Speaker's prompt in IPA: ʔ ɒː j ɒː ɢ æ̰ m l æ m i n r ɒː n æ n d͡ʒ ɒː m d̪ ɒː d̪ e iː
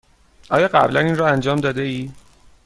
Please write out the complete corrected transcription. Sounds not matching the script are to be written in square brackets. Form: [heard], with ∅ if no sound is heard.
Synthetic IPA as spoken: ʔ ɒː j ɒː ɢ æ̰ [b] l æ [n] i n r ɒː [∅] æ n d͡ʒ ɒː m d̪ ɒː d̪ e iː